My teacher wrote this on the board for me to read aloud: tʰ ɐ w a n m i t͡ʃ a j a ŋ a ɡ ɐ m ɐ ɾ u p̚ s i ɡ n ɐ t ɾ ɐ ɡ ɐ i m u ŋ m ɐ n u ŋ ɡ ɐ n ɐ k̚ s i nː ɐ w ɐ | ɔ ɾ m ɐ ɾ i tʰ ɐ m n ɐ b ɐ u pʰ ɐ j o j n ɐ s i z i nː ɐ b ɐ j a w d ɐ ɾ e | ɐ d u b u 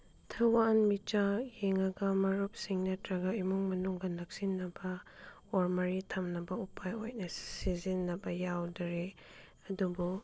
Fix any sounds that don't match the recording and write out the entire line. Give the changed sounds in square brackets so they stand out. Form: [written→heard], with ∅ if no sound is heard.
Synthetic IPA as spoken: tʰ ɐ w a n m i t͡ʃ a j [a→e] ŋ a ɡ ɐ m ɐ ɾ u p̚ s i [ɡ→ŋ] n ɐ t ɾ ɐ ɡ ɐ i m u ŋ m ɐ n u ŋ ɡ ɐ n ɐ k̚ s i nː ɐ [w→b] ɐ | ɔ ɾ m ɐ ɾ i tʰ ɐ m n ɐ b ɐ u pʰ [ɐ→a] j o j n ɐ s i z i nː ɐ b ɐ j a w d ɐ ɾ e | ɐ d u b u